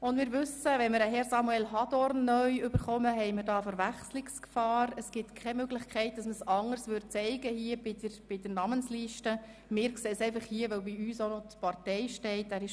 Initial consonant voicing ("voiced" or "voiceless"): voiced